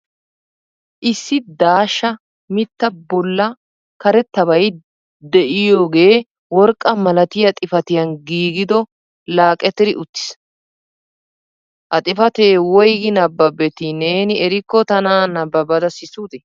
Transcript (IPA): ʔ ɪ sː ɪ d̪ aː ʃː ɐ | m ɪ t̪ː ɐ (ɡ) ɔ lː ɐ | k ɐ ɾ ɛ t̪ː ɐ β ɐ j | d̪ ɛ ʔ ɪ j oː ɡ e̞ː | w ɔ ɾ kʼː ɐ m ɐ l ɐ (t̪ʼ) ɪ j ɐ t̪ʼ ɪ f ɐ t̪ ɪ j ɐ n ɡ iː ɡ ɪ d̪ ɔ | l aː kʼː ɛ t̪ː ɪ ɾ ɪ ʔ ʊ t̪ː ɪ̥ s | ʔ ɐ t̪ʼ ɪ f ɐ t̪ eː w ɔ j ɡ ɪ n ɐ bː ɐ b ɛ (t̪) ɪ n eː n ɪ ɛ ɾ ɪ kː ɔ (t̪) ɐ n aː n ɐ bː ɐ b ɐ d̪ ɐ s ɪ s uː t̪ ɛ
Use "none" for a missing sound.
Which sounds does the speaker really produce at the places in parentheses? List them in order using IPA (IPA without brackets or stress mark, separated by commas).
b, t̪, t̪, t̪